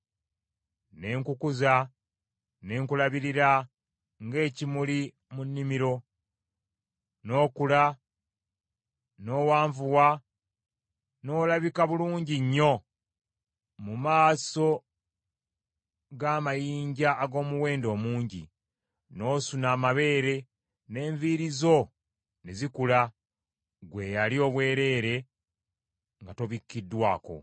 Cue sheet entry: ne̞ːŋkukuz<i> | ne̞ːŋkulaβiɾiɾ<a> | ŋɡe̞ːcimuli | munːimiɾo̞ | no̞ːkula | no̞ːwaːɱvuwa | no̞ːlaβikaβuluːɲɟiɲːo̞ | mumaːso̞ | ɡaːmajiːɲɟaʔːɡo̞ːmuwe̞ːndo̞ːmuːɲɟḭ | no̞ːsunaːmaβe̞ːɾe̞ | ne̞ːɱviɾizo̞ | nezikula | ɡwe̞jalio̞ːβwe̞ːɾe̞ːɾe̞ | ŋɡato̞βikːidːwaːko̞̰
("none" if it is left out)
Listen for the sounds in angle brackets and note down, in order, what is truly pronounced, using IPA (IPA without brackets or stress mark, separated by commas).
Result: a, a